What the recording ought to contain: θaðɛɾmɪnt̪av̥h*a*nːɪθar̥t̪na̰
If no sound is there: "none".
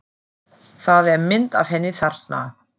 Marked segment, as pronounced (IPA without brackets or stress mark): ɛ